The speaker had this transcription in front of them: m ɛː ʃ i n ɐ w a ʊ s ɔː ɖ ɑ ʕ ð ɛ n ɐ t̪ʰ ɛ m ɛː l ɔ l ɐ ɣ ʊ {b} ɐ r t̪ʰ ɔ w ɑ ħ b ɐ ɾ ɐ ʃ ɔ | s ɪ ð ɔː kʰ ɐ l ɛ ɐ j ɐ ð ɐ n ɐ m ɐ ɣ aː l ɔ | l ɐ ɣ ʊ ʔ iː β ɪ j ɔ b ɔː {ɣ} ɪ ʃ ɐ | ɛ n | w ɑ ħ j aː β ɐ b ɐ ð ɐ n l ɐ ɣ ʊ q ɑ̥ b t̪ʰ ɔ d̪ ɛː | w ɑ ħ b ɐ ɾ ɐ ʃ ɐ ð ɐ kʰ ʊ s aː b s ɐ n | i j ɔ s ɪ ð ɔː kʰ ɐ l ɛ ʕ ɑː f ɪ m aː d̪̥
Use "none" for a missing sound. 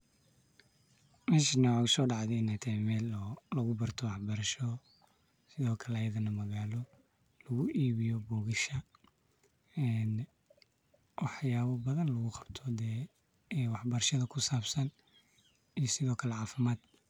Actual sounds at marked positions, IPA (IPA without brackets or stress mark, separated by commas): b, ɣ